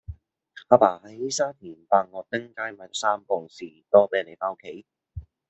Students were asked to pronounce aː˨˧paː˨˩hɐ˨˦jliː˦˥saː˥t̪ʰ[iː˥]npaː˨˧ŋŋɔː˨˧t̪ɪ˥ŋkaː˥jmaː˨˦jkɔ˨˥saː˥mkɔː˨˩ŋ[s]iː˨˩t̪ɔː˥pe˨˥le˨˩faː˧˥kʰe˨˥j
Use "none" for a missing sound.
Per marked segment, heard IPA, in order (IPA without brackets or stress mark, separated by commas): iː˨˩, s